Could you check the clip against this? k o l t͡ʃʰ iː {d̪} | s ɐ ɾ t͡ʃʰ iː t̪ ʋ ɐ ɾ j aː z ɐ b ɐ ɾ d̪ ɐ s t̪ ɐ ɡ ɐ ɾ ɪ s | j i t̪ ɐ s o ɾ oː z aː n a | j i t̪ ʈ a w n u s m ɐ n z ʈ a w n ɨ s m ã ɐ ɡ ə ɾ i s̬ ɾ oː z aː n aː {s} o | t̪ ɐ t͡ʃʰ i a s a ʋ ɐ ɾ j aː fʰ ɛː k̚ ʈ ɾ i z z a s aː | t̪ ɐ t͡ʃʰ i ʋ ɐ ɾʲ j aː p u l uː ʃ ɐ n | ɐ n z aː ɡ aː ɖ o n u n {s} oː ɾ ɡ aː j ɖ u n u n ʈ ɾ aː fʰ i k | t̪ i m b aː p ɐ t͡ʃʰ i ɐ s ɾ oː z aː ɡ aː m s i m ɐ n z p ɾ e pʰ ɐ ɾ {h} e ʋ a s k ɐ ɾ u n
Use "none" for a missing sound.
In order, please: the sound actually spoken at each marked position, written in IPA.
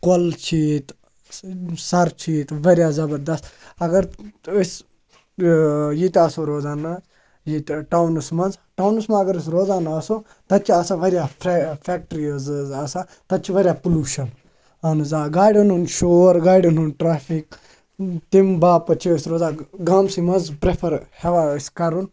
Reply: t̪, s, ʃ, h

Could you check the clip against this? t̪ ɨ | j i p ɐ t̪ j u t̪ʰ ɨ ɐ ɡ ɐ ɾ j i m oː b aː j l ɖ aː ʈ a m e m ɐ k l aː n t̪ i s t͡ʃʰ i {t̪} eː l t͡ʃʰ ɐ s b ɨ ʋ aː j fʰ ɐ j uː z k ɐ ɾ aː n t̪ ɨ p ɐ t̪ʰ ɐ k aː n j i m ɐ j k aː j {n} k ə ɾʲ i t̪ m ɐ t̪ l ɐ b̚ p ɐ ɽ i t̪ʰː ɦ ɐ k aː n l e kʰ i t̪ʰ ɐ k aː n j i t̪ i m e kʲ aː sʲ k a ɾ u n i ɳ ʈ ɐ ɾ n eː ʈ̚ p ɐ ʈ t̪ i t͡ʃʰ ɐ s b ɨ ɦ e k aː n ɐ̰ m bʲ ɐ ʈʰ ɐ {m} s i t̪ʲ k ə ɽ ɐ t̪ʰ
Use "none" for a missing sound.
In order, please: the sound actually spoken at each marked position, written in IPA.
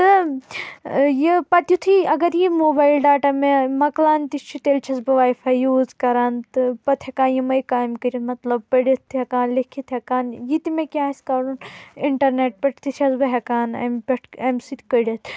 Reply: t̪, m, m

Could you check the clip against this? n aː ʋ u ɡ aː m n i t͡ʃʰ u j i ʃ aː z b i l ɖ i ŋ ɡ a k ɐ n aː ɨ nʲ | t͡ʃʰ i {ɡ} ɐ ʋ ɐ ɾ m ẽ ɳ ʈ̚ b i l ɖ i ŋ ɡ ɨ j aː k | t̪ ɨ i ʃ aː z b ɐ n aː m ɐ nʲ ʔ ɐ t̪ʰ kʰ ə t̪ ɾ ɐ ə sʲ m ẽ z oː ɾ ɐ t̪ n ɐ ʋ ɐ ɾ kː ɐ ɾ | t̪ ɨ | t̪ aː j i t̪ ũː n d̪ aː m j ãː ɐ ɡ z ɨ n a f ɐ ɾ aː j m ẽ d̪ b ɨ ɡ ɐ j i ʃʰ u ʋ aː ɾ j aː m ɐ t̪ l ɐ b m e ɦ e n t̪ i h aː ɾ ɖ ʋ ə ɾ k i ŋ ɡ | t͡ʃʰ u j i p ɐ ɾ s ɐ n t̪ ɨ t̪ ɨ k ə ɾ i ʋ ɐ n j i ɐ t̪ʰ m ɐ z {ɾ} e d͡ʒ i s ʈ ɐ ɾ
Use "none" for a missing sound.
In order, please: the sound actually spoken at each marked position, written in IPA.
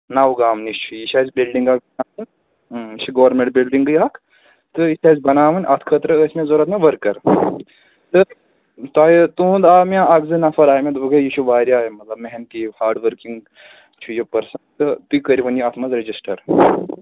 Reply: ɡ, ɾ

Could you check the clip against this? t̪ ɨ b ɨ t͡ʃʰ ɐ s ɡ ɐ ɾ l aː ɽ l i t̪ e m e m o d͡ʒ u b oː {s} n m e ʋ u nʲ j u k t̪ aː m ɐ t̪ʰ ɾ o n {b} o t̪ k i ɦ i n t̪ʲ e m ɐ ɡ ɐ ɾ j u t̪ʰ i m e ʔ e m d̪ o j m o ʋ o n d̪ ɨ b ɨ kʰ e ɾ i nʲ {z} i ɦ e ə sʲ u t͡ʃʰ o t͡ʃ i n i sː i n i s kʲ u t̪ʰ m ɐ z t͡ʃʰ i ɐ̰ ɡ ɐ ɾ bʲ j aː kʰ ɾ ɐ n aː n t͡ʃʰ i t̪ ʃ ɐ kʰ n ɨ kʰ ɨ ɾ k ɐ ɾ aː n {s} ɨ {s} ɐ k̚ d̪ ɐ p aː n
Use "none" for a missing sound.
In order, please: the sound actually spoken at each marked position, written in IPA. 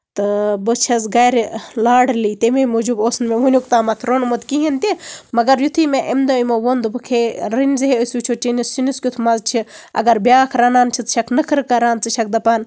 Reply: s, m, z, t͡s, ʃ

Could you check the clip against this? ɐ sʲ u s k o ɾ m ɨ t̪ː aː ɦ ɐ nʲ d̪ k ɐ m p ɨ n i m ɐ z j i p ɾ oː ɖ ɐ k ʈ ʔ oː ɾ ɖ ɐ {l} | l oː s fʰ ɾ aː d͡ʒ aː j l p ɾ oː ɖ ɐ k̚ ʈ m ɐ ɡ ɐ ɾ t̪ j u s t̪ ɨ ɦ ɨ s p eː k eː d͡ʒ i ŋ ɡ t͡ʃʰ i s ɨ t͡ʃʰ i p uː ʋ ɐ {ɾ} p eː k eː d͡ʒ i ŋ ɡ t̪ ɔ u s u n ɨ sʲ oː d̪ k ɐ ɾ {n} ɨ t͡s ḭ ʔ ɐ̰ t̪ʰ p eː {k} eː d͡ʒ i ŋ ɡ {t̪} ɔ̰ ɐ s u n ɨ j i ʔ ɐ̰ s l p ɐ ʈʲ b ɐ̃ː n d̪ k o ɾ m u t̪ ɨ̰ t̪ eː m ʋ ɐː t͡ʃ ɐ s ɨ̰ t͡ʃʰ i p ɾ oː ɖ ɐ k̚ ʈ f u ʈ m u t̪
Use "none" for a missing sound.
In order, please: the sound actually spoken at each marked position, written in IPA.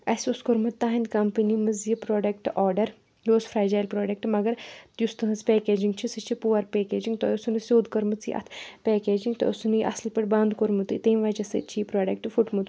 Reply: ɾ, ɾ, m, k, t̪

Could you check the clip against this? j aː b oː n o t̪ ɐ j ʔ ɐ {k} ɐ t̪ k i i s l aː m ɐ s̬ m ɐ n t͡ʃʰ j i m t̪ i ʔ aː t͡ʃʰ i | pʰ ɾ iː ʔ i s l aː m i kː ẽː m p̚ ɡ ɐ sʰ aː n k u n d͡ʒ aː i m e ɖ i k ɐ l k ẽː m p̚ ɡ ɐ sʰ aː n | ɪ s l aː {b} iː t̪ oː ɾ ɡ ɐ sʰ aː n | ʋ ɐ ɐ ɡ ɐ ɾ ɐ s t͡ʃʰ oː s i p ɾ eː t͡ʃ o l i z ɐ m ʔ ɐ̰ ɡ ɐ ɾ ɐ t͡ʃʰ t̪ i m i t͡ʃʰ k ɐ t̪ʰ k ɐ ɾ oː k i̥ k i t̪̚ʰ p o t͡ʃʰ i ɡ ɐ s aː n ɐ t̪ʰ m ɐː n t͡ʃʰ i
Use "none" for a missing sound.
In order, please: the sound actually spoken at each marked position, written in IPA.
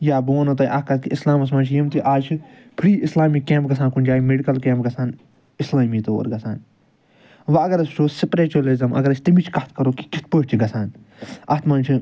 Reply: k, m

